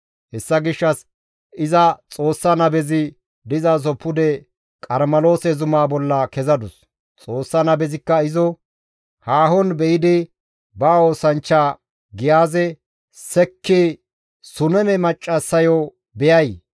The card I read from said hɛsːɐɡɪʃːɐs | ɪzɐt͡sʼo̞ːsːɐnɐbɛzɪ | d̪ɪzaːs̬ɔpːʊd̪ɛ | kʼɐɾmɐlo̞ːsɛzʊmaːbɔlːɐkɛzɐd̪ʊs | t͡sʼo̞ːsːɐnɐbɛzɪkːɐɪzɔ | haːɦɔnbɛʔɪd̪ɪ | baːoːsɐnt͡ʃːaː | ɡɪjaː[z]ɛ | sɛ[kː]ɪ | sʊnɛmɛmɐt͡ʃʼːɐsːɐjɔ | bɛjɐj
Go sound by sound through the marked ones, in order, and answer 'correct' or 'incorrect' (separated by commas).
correct, correct